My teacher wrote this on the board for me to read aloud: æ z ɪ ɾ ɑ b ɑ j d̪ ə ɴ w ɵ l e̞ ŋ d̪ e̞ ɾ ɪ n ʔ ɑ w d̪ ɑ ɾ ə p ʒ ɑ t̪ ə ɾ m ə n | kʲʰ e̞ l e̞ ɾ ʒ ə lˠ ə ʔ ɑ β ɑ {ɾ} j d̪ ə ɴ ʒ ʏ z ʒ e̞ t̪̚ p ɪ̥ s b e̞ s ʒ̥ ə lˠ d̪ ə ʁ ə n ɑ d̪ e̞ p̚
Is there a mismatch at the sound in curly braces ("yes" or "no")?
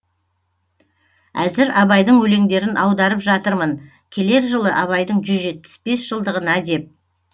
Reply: yes